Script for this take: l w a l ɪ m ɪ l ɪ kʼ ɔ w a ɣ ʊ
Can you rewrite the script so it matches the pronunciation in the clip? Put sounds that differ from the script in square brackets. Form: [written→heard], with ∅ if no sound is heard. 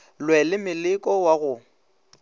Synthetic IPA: l w [a→ɛ] l ɪ m ɪ l ɪ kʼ ɔ w a ɣ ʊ